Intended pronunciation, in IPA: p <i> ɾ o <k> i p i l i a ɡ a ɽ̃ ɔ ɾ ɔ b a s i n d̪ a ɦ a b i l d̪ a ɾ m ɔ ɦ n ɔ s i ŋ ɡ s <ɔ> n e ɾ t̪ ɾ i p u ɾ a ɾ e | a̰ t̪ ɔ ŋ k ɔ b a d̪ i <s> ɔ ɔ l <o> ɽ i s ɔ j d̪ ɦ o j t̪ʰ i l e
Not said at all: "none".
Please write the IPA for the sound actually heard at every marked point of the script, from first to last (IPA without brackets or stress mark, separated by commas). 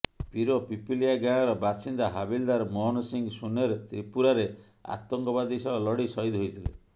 i, p, u, s, ɔ